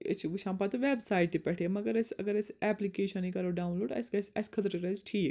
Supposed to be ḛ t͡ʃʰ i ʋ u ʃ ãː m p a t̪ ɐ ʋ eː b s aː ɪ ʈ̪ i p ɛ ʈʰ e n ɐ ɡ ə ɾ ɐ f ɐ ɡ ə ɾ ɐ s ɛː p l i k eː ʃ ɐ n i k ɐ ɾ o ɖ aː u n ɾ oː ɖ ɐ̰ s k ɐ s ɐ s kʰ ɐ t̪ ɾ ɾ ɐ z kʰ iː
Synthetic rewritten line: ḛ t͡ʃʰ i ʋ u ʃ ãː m p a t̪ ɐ ʋ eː b s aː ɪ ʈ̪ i p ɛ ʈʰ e m ɐ ɡ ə ɾ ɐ s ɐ ɡ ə ɾ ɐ s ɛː p l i k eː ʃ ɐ n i k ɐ ɾ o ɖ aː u n l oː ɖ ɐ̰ s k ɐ s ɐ s kʰ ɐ t̪ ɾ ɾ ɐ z ʈʰ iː